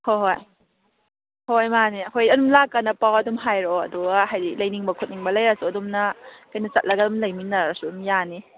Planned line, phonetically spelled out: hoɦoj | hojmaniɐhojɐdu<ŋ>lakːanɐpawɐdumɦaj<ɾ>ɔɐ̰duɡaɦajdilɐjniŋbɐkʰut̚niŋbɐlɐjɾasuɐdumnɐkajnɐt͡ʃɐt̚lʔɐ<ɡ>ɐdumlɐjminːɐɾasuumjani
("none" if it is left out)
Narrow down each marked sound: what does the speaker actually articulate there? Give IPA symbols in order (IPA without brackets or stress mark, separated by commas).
m, ɾ, ɡ